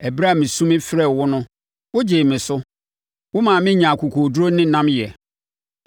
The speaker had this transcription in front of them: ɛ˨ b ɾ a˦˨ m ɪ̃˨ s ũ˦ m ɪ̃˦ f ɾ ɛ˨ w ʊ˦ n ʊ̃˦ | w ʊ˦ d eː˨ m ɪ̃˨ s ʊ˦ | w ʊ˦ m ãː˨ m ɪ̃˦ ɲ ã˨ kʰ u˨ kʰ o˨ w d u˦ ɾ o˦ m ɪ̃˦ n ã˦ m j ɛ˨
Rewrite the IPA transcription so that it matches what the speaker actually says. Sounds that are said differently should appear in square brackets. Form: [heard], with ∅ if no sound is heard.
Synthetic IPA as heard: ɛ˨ b ɾ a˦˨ m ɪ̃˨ s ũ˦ m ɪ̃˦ f ɾ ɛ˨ w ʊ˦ n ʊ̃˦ | w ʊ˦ [d͡ʑ] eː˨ m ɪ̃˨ s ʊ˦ | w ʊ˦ m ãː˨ m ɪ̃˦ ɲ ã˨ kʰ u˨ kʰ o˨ [∅] d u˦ ɾ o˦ [n] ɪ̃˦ n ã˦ m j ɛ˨